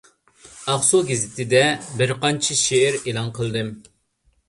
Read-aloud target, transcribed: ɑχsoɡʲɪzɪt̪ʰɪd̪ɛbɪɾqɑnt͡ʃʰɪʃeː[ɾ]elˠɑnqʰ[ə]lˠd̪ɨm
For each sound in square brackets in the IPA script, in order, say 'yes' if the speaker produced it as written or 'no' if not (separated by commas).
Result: yes, yes